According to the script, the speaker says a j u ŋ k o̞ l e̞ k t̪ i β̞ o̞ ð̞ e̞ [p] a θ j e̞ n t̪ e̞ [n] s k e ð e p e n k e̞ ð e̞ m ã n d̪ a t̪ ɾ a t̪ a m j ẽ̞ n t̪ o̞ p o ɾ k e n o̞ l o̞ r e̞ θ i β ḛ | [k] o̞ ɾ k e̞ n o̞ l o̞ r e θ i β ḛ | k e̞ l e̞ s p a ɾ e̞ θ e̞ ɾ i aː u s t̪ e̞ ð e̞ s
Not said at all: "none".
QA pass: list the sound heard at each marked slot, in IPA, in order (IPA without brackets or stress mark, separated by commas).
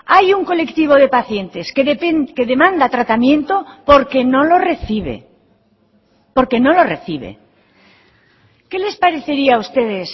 p, none, p